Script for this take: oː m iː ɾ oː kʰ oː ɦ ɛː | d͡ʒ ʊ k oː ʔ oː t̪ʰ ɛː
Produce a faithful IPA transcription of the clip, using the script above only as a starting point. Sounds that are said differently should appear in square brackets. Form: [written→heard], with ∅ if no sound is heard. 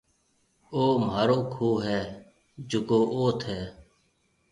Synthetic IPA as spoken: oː m [iː→aː] ɾ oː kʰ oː ɦ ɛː | d͡ʒ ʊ k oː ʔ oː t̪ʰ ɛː